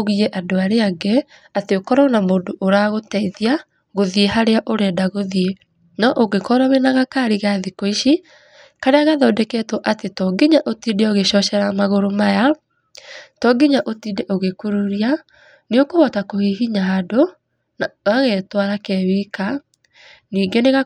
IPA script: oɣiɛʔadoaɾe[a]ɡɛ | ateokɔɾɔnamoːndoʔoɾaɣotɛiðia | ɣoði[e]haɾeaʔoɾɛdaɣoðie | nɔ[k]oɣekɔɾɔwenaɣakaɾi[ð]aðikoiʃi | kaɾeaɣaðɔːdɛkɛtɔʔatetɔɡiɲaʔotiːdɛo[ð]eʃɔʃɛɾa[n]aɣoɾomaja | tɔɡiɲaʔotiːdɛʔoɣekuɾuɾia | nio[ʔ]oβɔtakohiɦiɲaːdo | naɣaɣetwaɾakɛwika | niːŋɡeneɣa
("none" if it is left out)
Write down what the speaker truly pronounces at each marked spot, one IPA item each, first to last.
a, e, ʔ, ɣ, ɣ, m, k

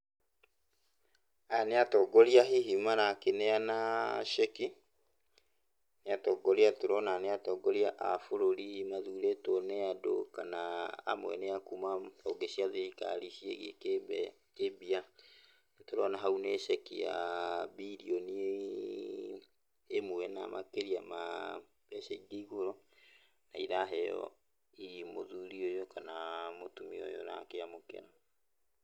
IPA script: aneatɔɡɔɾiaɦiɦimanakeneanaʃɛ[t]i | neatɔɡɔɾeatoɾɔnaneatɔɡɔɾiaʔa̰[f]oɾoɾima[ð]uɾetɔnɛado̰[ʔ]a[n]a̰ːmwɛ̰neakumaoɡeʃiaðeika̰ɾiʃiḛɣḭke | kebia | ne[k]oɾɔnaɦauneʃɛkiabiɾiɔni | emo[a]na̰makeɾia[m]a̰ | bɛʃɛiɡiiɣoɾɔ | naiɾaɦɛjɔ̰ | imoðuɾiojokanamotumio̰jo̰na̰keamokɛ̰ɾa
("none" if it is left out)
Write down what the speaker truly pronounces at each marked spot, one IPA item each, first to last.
k, f, ð, k, n, t, ɛ, m

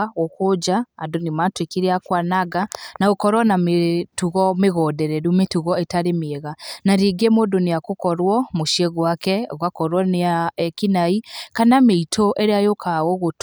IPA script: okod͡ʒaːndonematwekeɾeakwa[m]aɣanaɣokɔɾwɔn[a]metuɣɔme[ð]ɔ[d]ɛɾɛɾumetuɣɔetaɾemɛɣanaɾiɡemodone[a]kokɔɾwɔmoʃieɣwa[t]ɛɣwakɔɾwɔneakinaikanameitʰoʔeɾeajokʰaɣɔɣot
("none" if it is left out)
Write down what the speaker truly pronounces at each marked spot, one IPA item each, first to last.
n, a, ɣ, d, a, k

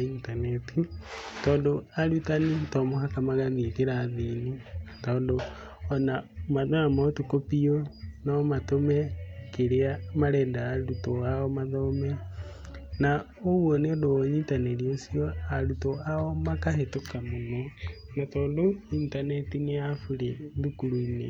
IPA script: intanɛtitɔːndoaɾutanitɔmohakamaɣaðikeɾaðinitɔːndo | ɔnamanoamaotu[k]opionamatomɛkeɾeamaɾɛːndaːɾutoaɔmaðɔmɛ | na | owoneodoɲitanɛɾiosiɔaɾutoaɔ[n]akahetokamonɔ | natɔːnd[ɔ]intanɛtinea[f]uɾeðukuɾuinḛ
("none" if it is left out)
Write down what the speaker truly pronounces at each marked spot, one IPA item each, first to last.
k, m, o, f

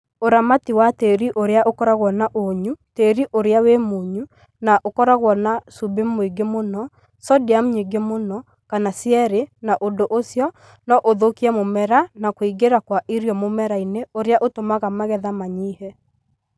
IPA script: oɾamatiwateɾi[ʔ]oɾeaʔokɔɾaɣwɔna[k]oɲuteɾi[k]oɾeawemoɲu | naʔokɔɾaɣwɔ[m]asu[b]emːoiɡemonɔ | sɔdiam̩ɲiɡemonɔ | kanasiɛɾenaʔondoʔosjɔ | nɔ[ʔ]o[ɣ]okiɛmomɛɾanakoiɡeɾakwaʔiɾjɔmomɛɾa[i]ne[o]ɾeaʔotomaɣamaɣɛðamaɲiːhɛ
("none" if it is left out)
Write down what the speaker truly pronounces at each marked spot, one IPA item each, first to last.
ʔ, ʔ, ʔ, n, b, ʔ, ð, i, o

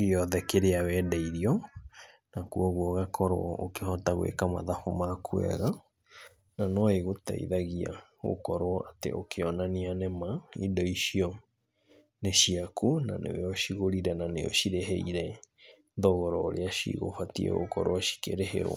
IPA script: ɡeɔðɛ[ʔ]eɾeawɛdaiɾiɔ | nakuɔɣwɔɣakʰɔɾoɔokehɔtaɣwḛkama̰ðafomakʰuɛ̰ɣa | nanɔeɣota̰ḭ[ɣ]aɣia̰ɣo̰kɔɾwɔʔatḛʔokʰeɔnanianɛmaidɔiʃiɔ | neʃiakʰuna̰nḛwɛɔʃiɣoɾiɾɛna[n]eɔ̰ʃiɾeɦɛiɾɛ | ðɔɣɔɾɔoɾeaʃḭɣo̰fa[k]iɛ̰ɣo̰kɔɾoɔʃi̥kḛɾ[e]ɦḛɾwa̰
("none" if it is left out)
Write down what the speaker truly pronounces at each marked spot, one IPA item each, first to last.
k, ð, n, t, e

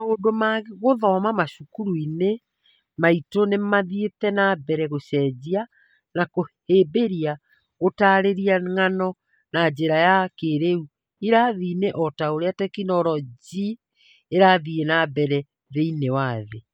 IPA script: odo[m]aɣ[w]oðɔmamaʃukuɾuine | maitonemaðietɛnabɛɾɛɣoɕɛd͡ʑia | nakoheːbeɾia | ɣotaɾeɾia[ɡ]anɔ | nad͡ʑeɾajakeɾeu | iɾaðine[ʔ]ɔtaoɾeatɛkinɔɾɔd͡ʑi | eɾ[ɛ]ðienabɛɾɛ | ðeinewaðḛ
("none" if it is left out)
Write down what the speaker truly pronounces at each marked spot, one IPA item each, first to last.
m, ɣ, ŋ, ʔ, a

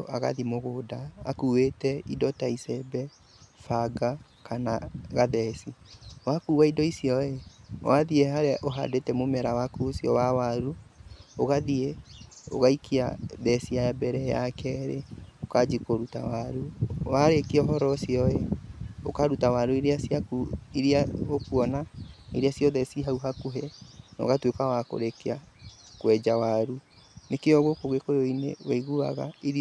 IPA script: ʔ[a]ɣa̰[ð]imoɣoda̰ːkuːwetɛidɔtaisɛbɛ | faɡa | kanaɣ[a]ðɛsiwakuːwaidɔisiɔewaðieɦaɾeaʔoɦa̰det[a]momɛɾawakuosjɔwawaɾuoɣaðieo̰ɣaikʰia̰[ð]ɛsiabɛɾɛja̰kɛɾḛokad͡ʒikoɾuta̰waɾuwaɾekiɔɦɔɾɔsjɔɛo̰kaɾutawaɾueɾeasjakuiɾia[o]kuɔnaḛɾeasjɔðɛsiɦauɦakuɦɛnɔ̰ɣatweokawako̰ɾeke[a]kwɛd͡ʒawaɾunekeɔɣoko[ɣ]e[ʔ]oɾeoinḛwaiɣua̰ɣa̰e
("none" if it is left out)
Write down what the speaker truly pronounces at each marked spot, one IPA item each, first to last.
a, ð, a, ɛ, ð, o, a, ɣ, k

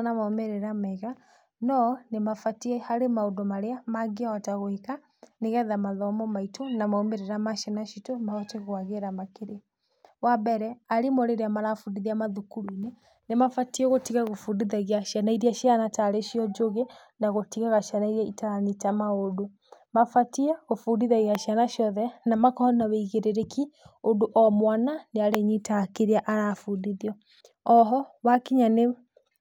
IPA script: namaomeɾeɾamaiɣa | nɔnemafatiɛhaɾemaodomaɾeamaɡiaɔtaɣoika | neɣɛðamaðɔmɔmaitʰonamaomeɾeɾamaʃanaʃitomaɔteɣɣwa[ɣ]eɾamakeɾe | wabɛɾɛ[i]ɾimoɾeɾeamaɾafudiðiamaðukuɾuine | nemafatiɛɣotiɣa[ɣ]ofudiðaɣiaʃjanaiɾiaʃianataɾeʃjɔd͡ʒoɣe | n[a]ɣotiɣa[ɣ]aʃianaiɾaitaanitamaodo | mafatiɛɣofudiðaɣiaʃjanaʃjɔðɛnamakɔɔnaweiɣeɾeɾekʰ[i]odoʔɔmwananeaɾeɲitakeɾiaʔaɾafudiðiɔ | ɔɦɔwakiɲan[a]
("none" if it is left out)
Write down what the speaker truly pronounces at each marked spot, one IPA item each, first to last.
ɣ, a, ɣ, a, ɣ, i, e

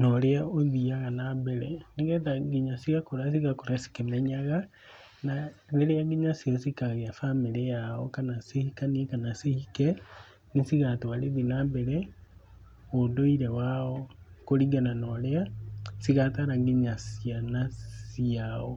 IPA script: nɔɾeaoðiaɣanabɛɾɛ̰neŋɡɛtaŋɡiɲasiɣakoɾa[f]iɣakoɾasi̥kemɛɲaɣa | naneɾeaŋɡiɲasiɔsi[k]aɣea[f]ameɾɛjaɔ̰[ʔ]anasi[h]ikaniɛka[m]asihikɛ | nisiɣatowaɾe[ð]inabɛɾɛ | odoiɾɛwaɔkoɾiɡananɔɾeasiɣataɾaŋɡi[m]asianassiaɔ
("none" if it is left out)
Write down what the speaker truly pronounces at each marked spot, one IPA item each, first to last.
s, k, f, k, h, n, ð, ɲ

